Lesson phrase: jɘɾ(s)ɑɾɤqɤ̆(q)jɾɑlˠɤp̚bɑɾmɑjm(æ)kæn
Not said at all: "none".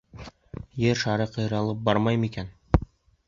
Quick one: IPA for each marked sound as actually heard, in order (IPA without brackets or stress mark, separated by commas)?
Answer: ʃ, none, i